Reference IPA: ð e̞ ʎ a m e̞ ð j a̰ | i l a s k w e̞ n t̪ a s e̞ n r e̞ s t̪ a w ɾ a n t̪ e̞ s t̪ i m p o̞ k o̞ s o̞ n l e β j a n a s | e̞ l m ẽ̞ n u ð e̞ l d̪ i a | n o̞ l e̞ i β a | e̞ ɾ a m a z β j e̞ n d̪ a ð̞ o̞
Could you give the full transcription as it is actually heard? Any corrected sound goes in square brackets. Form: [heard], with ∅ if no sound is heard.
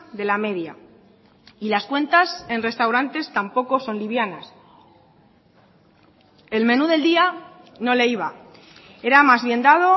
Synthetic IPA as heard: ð e̞ [l] a m e̞ ð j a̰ | i l a s k w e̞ n t̪ a s e̞ n r e̞ s t̪ a w ɾ a n t̪ e̞ s t̪ [a] m p o̞ k o̞ s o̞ n l [i] β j a n a s | e̞ l m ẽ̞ n u ð e̞ l d̪ i a | n o̞ l e̞ i β a | e̞ ɾ a m a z β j e̞ n d̪ a ð̞ o̞